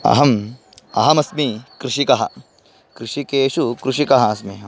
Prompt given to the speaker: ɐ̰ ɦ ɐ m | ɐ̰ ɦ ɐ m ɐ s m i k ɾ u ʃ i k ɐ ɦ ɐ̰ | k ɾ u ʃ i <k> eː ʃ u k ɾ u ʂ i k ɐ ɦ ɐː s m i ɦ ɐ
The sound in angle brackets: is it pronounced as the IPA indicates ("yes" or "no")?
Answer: yes